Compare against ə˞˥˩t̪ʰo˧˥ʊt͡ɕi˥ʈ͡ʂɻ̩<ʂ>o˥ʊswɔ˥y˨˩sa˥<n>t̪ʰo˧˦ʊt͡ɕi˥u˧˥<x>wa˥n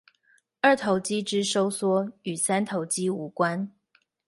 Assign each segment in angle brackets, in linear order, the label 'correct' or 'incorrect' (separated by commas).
correct, correct, incorrect